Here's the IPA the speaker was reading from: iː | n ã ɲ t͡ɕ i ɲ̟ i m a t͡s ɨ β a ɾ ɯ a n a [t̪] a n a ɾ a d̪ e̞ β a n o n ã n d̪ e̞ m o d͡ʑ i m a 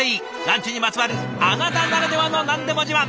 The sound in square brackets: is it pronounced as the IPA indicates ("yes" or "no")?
yes